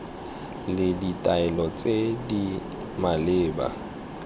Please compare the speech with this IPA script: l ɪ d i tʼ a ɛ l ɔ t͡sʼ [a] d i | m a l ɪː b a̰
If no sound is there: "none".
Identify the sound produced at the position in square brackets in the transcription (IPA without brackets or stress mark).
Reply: e